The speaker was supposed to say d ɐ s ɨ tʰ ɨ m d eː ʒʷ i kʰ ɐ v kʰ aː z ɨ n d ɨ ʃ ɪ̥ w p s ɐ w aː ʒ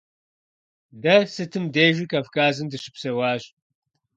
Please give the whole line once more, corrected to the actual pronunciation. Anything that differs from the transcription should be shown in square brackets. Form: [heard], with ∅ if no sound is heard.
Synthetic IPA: d ɐ s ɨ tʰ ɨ m d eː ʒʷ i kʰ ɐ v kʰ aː z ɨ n d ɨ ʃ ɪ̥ [∅] p s ɐ w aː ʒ